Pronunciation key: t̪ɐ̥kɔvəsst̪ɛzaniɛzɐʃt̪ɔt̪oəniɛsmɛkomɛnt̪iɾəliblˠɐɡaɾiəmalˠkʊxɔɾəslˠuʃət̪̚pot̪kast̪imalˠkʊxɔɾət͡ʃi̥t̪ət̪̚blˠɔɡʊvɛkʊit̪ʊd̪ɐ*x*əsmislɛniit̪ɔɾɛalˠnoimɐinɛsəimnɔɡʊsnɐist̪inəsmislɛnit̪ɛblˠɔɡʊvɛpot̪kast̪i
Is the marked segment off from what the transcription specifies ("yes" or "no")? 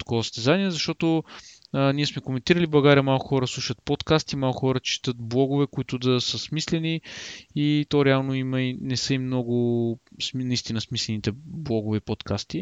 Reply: yes